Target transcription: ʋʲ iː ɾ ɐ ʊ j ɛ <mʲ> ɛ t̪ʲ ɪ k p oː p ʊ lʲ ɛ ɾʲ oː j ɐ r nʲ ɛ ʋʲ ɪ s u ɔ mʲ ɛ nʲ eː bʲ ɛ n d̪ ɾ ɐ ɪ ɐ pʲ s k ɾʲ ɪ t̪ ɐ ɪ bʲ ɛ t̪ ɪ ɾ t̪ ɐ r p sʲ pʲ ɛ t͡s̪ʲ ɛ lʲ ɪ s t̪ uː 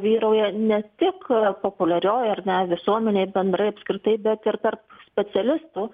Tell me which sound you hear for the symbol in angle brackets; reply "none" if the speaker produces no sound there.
nʲ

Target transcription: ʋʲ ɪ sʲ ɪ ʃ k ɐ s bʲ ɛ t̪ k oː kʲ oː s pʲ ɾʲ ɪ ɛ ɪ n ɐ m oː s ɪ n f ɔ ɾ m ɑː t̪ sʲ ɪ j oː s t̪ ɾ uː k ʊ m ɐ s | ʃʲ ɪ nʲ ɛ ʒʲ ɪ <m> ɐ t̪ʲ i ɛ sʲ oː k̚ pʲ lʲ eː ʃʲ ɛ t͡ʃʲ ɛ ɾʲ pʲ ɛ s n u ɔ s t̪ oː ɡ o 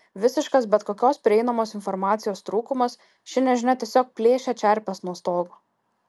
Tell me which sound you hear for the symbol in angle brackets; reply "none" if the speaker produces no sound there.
n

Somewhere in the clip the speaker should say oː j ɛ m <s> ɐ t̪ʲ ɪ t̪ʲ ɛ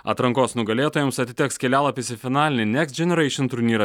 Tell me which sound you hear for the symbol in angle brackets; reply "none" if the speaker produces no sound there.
s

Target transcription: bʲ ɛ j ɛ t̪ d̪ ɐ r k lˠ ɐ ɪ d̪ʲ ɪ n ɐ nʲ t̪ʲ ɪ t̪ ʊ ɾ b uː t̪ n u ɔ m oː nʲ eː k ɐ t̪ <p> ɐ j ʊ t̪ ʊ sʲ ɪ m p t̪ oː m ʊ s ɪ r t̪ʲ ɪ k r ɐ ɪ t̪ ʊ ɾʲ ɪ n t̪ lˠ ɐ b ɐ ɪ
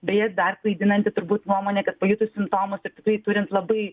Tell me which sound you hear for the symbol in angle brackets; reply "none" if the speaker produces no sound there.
p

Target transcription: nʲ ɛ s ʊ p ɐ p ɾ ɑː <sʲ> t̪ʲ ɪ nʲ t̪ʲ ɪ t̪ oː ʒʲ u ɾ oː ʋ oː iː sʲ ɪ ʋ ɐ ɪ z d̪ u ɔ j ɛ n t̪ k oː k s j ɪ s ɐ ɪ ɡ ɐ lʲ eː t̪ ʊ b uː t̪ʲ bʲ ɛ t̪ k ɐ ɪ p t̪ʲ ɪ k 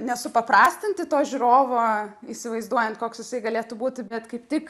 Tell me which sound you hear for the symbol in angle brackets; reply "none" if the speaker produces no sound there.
sʲ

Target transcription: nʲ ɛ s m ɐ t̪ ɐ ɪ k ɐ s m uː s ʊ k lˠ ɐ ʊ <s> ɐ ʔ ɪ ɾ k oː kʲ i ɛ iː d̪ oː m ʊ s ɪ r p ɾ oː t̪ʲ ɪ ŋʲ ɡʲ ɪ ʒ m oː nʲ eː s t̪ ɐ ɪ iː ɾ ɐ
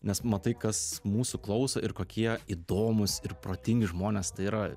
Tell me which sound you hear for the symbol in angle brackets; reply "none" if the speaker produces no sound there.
s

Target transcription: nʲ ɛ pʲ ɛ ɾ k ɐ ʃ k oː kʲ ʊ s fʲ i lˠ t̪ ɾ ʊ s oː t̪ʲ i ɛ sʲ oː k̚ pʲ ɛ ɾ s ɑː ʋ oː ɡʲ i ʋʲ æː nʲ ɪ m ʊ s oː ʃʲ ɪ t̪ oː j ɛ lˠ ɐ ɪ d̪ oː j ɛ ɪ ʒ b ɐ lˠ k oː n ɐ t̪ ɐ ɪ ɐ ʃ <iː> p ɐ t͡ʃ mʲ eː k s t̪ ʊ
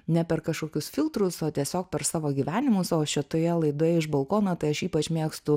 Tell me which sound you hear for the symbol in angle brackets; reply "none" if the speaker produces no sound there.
iː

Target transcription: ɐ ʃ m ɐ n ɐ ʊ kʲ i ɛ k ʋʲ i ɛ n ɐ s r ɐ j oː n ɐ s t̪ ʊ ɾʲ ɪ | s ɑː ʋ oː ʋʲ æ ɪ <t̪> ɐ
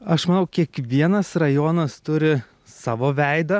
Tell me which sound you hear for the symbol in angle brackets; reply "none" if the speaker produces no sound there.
d̪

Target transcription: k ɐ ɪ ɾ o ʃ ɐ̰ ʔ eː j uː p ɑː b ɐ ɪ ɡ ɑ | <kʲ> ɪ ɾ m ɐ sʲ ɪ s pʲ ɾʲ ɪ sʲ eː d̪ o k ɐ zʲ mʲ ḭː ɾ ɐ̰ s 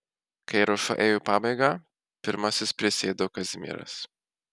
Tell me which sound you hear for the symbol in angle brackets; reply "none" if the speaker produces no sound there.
pʲ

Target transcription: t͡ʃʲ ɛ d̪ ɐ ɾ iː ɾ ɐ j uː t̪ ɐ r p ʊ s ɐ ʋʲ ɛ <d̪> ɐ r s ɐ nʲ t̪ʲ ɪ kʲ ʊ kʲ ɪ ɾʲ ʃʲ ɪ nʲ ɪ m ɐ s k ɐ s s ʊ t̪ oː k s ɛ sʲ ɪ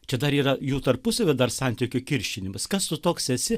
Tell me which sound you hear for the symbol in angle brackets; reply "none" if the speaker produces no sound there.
d̪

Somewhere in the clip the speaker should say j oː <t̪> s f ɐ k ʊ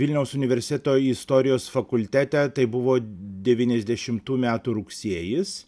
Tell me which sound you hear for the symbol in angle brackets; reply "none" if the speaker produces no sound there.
none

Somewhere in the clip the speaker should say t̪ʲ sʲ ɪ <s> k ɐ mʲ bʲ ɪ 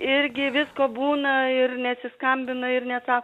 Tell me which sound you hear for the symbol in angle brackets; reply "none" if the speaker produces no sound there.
s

